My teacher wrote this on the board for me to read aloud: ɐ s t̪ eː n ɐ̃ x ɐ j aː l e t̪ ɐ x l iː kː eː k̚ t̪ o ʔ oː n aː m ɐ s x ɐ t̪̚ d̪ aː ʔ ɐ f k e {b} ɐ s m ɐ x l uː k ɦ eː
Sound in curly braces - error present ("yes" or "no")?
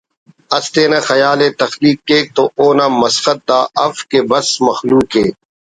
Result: no